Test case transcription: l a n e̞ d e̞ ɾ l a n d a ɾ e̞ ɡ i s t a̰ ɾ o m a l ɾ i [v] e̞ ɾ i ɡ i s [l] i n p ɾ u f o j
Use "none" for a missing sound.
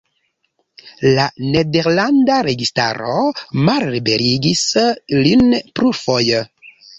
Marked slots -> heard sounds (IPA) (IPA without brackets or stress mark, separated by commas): b, l